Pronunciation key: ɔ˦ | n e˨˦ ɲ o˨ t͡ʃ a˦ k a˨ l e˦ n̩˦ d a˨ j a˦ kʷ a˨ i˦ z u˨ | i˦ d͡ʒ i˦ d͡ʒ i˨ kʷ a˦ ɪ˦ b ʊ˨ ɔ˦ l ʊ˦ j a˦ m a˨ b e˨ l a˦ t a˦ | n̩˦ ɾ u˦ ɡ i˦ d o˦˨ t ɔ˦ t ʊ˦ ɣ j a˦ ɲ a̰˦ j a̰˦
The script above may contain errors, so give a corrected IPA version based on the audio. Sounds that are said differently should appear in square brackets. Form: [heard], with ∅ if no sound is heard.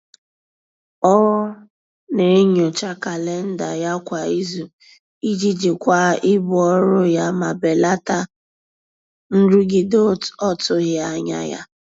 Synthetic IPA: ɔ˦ | n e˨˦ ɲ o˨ t͡ʃ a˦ k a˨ l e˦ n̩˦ d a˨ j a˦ kʷ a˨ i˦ z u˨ | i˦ d͡ʒ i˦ d͡ʒ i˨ kʷ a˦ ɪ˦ b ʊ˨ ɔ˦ [ɾ] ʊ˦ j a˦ m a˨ b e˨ l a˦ t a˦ | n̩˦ ɾ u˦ ɡ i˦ d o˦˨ t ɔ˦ t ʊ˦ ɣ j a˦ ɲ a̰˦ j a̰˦